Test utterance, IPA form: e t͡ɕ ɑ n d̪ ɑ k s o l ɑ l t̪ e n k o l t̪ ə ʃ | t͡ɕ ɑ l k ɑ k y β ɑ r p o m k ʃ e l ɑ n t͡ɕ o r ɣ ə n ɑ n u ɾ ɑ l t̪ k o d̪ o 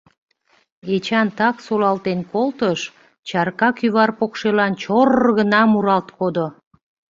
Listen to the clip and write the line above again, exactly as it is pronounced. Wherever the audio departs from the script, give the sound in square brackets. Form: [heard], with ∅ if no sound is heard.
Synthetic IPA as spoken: e t͡ɕ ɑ n [t̪] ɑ k s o l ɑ l t̪ e n k o l t̪ ə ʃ | t͡ɕ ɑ [r] k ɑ k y β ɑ r p o [∅] k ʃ e l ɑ n t͡ɕ o r ɣ ə n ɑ [m] u ɾ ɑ l t̪ k o d̪ o

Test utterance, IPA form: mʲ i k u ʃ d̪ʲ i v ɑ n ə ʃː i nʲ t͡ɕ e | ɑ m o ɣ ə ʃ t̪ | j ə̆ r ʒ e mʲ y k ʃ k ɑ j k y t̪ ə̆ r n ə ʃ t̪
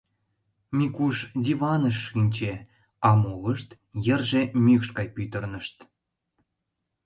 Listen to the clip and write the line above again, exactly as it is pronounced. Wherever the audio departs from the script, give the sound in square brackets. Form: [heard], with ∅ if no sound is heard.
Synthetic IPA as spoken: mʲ i k u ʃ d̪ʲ i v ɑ n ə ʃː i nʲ t͡ɕ e | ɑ m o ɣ ə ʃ t̪ | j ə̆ r ʒ e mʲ y k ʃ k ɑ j [p] y t̪ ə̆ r n ə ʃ t̪

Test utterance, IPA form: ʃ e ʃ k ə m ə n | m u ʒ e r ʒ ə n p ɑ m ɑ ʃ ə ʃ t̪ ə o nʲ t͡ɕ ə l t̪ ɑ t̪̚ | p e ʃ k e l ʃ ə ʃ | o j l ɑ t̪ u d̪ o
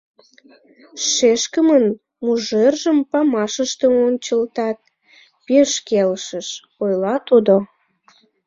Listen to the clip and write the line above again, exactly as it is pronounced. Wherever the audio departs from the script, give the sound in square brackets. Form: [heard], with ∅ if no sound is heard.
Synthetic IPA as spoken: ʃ e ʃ k ə m ə n | m u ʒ e r ʒ ə [m] p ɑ m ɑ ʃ ə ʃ t̪ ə o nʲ t͡ɕ ə l t̪ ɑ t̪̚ | p e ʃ k e l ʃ ə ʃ | o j l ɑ t̪ u d̪ o

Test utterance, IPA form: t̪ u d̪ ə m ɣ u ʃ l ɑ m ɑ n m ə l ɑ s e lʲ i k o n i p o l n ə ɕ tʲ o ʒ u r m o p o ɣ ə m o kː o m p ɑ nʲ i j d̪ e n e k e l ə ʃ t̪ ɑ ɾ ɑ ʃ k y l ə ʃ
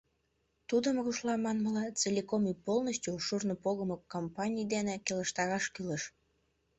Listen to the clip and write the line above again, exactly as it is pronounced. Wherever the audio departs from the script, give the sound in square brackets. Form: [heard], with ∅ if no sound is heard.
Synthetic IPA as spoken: t̪ u d̪ ə m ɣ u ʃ l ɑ m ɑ n m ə l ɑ [t͡s] e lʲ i k o [m] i p o l n ə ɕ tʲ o [ʃ] u r [n] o p o ɣ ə m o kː o m p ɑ nʲ i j d̪ e n e k e l ə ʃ t̪ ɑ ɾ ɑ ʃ k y l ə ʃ

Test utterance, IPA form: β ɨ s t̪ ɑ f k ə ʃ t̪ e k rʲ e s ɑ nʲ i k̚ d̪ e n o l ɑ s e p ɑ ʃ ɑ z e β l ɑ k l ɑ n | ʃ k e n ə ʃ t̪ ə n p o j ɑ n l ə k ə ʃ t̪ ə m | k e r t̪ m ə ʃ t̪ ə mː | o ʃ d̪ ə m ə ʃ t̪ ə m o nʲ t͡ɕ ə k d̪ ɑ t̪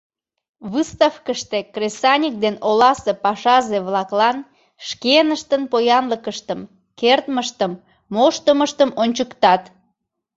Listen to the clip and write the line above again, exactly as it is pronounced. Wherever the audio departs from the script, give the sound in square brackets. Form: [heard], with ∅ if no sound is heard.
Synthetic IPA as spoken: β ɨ s t̪ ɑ f k ə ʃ t̪ e k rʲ e s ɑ nʲ i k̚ d̪ e n o l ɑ s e p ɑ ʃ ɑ z e β l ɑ k l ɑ n | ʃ k e n ə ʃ t̪ ə n p o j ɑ n l ə k ə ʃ t̪ ə m | k e r t̪ m ə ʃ t̪ ə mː | o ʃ [t̪] ə m ə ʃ t̪ ə m o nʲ t͡ɕ ə k [t̪] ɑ t̪

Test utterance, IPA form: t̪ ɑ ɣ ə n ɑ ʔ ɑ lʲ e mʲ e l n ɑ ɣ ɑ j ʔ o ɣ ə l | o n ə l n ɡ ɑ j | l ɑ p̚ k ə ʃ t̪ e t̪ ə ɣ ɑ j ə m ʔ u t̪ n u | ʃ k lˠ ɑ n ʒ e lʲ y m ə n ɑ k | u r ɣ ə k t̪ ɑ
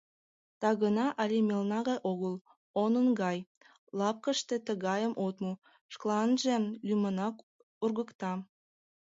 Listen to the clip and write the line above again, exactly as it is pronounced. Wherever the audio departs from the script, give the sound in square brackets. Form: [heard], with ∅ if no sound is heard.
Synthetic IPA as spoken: t̪ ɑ ɣ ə n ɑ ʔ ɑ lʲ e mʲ e l n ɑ ɣ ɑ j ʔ o ɣ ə l | o n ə [∅] n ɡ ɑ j | l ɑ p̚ k ə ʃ t̪ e t̪ ə ɣ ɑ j ə m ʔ [o] t̪ [m] u | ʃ k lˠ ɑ n ʒ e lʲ y m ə n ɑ k | u r ɣ ə k t̪ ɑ

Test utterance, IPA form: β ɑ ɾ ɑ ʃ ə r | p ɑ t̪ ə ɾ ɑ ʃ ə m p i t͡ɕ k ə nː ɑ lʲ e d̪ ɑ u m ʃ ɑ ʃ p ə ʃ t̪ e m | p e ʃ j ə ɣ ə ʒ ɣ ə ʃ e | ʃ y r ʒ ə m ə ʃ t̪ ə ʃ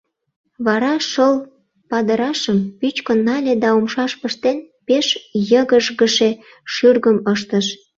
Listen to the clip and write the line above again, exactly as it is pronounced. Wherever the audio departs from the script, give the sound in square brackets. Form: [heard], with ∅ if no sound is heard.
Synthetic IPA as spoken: β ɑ ɾ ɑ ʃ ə [l] | p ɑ [d̪] ə ɾ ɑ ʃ ə m p [y] t͡ɕ k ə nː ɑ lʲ e d̪ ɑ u m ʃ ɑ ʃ p ə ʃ t̪ e [n] | p e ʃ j ə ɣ ə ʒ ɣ ə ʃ e | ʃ y r [ɣ] ə m ə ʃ t̪ ə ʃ

